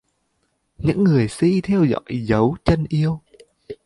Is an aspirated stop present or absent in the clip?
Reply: present